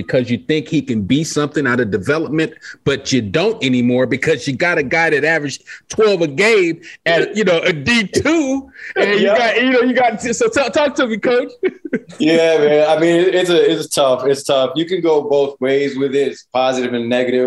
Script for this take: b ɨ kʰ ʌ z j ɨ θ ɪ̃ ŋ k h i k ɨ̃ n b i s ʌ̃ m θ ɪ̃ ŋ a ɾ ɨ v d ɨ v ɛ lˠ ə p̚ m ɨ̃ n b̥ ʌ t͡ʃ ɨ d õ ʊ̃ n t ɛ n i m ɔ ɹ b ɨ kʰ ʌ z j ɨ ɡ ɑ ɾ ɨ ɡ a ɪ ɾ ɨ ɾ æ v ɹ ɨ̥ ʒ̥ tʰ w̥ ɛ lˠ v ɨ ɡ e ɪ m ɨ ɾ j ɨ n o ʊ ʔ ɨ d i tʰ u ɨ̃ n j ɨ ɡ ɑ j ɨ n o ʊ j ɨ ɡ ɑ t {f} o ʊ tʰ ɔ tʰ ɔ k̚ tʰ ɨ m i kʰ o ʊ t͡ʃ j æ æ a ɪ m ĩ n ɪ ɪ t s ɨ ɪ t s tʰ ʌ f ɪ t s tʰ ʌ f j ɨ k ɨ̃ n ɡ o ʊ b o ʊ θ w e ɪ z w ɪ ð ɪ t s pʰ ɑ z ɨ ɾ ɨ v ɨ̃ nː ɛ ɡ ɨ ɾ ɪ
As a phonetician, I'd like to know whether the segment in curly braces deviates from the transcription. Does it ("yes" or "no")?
yes